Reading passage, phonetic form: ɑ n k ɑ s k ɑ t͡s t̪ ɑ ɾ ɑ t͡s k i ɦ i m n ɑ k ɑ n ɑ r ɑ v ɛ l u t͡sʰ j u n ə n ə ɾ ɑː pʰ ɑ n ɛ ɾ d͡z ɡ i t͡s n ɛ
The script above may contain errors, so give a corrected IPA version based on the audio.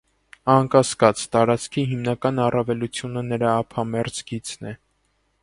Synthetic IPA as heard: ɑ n k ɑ s k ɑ t͡s t̪ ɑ ɾ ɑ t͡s kʰ i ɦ i m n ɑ k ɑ n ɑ r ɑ v ɛ l u t͡sʰ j u n ə n ə ɾ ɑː pʰ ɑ m ɛ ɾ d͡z ɡ i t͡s n ɛ